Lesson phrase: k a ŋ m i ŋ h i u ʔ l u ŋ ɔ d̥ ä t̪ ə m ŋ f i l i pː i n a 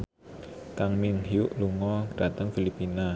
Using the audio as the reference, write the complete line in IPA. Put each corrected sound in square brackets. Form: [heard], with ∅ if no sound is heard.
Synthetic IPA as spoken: k a ŋ m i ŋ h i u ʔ l u ŋ ɔ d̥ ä t̪ ə [∅] ŋ f i l i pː i n a